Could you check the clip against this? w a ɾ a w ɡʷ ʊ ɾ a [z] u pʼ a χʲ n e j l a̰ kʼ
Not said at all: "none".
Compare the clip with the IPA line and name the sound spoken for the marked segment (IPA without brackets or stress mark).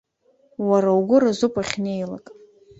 z